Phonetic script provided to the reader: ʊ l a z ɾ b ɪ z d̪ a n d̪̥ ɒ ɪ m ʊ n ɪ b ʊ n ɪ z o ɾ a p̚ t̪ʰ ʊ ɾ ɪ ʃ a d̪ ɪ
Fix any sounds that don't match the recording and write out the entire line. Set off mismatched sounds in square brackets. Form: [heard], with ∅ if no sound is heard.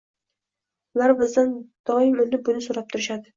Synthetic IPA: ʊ l a [∅] ɾ b ɪ z d̪ a n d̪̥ ɒ ɪ m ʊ n ɪ b ʊ n ɪ [s] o ɾ a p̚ t̪ʰ ʊ ɾ ɪ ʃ a d̪ ɪ

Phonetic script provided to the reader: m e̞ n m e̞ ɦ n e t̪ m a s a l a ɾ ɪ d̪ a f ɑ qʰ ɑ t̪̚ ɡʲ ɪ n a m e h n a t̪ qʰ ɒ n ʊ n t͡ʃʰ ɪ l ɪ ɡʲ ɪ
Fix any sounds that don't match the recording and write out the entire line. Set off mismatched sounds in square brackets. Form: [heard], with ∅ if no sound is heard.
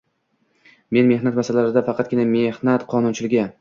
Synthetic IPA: m e̞ n m e̞ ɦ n [a] t̪ m a s a l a ɾ ɪ d̪ a f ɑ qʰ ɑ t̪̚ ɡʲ ɪ n a m e h n a t̪ qʰ ɒ n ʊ n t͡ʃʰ ɪ l ɪ ɡʲ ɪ

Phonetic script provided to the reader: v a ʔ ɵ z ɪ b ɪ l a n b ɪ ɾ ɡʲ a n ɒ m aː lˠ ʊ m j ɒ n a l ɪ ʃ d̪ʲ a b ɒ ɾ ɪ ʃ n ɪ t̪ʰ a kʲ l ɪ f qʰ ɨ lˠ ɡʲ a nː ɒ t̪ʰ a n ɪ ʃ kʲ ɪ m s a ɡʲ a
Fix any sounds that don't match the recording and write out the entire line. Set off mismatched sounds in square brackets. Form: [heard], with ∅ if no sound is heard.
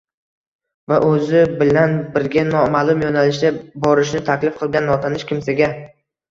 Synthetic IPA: v a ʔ ɵ z ɪ b ɪ l a n b ɪ ɾ ɡʲ a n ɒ m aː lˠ ʊ m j ɒ n a l ɪ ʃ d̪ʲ a b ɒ ɾ ɪ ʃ n ɪ t̪ʰ a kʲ l ɪ f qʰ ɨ lˠ ɡʲ a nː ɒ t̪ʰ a n ɪ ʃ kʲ ɪ m s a ɡʲ a

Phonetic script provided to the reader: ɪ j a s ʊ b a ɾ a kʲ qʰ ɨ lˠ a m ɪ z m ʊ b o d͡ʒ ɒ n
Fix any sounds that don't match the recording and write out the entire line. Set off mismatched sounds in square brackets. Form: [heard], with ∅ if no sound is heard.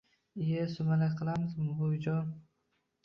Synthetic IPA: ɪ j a s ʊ [m] a [l] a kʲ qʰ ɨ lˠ a m ɪ z m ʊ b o d͡ʒ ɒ n

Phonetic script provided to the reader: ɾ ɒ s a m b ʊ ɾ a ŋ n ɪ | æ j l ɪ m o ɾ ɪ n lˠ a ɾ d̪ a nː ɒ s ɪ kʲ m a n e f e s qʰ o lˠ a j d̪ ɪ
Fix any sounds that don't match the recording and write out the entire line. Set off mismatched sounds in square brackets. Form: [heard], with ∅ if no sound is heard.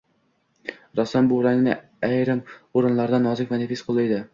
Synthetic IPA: ɾ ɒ s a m b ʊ ɾ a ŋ n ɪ | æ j [ɾ] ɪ m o ɾ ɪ n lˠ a ɾ d̪ a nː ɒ [z] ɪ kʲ m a n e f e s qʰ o lˠ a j d̪ ɪ

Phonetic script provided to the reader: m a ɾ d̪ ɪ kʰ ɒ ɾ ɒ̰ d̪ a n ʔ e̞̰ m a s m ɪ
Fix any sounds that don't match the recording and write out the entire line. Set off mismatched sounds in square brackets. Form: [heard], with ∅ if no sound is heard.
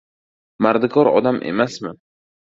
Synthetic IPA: m a ɾ d̪ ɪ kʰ ɒ ɾ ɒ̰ d̪ a [m] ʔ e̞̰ m a s m ɪ

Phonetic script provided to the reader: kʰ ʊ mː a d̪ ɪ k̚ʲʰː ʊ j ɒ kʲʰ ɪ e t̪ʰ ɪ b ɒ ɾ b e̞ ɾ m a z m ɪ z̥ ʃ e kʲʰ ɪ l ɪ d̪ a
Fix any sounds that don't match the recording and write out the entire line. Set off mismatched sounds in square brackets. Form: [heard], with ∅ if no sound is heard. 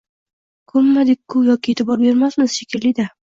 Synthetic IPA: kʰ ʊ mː a d̪ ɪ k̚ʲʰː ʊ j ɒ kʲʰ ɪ e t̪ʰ ɪ b ɒ ɾ b e̞ ɾ m a [s] m ɪ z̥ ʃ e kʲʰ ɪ l ɪ d̪ a

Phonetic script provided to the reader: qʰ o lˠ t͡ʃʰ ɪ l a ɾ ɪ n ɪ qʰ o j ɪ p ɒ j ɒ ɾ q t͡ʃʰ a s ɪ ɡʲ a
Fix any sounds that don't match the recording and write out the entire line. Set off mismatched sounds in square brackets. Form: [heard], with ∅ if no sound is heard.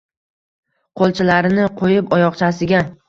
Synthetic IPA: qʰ o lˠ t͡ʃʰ ɪ l a ɾ ɪ n ɪ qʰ o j ɪ p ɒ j ɒ [∅] q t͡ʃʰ a s ɪ ɡʲ a

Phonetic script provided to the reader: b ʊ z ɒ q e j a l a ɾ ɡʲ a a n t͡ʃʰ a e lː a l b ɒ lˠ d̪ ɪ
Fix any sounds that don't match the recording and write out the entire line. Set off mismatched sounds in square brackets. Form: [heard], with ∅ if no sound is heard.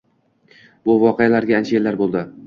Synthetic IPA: b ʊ [v] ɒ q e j a l a ɾ ɡʲ a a n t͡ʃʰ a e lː a [ɾ] b [o] lˠ d̪ ɪ

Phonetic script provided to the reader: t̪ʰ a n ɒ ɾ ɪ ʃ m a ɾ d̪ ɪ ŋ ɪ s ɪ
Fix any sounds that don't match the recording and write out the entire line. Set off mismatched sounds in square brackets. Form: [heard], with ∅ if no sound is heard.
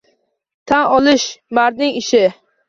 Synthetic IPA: t̪ʰ a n ɒ [l] ɪ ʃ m a ɾ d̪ ɪ ŋ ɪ [ʃ] ɪ

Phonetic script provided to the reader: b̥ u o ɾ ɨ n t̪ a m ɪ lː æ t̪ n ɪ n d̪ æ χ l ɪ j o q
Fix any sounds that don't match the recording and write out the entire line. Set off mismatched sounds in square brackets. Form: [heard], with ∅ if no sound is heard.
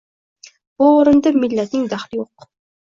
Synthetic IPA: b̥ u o ɾ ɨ n [d̪] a m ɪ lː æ t̪ n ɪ [ŋ] d̪ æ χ l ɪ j o q

